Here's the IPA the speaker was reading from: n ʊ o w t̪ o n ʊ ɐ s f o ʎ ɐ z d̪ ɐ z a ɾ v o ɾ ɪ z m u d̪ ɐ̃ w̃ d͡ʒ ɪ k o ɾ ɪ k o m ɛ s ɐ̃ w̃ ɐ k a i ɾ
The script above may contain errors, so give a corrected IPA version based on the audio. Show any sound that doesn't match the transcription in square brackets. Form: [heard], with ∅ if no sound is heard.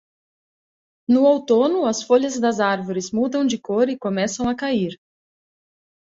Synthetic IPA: n ʊ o w t̪ o n ʊ ɐ s f o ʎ ɐ z d̪ ɐ z a ɾ v o ɾ ɪ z m u d̪ ɐ̃ w̃ d͡ʒ ɪ k o ɾ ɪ k o m ɛ s ɐ̃ w̃ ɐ k a i ɾ